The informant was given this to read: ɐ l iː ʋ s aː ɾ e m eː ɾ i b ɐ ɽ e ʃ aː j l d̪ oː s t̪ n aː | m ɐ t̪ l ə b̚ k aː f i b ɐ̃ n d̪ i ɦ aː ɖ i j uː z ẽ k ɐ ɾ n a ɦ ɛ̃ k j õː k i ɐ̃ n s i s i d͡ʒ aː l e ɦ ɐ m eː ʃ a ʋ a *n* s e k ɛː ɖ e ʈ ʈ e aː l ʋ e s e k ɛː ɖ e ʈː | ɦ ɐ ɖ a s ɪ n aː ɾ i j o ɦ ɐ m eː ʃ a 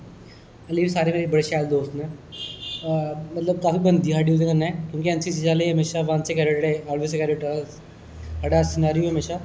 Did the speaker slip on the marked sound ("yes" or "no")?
no